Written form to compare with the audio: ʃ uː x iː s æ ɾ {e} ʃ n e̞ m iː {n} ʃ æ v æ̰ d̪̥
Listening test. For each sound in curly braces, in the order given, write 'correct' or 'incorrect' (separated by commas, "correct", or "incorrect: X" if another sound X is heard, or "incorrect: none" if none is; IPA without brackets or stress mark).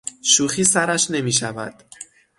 incorrect: æ, incorrect: none